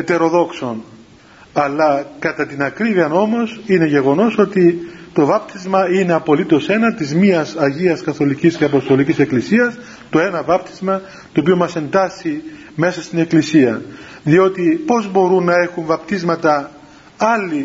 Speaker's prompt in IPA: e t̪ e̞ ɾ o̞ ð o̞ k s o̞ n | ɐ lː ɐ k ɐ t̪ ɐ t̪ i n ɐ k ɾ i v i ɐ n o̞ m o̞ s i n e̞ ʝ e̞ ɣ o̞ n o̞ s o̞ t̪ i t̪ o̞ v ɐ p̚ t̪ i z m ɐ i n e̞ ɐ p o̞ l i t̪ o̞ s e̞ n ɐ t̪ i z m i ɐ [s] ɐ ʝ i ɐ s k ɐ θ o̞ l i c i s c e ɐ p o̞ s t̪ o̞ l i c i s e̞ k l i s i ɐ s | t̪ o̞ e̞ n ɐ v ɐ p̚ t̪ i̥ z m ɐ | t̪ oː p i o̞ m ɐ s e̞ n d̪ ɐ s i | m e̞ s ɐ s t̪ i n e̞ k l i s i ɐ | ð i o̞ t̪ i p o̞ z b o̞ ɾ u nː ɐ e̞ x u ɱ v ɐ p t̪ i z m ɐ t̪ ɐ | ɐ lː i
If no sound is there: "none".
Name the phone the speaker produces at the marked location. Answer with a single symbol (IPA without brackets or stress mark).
s